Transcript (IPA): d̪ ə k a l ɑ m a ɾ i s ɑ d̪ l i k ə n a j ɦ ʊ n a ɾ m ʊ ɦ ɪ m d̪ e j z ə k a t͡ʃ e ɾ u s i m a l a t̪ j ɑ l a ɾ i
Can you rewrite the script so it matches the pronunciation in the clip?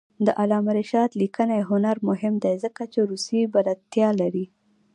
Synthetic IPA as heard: d̪ ə ʔ a l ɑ m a ɾ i ʃ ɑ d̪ l i k ə n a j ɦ ʊ n a ɾ m ʊ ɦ ɪ m d̪ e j z ə k a t͡ʃ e ɾ u s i b a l a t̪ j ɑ l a ɾ i